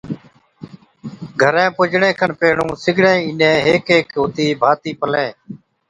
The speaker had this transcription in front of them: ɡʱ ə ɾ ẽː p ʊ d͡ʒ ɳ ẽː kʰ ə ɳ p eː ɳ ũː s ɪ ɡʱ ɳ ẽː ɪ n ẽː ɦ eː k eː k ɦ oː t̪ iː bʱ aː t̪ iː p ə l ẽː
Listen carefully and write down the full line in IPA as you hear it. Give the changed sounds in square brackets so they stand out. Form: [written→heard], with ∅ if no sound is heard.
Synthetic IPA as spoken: ɡʱ ə ɾ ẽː p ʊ d͡ʒ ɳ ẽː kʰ ə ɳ p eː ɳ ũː s ɪ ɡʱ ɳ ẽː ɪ n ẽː ɦ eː k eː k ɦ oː t̪ iː bʱ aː t̪ iː p ə l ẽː